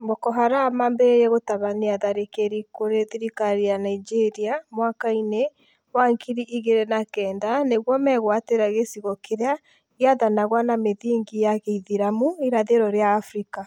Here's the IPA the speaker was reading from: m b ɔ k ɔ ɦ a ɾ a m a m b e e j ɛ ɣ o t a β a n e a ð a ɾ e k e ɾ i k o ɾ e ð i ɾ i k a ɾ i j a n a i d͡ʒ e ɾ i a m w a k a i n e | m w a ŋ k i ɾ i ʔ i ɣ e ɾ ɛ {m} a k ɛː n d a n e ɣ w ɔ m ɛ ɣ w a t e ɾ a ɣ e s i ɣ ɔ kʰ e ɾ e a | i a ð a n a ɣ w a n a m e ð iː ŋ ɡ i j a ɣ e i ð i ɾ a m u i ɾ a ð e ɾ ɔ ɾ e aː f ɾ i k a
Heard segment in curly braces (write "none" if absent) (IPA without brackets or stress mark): n